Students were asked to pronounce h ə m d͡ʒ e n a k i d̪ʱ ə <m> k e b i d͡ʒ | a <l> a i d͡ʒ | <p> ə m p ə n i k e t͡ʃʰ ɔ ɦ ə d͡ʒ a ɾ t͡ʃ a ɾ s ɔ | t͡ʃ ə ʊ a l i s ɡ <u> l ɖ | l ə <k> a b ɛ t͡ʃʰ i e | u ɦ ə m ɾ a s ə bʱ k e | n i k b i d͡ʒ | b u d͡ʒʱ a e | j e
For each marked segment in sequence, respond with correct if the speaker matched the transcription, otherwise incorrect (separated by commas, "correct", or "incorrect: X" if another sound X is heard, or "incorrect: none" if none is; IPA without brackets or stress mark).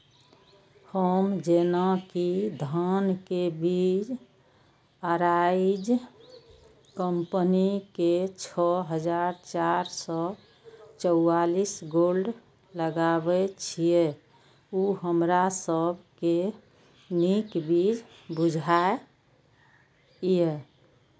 incorrect: n, incorrect: ɾ, incorrect: k, incorrect: o, incorrect: ɡ